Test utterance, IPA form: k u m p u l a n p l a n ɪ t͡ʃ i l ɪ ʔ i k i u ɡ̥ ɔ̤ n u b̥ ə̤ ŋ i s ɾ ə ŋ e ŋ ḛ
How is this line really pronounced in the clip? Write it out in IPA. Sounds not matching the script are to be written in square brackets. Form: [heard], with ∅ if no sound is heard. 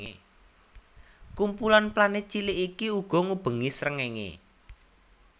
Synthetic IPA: k u m p u l a n p l a n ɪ t͡ʃ i l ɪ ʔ i k i u ɡ̥ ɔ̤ [ŋ] u b̥ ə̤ ŋ i s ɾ ə ŋ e ŋ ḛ